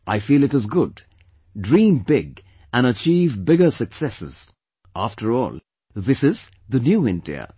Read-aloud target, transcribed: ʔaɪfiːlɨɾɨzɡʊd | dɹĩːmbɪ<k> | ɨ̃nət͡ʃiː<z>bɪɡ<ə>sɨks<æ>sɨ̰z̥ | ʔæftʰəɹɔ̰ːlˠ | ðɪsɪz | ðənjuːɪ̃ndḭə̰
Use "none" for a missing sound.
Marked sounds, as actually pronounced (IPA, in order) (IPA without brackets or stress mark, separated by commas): ɡ, v, ə, ɛ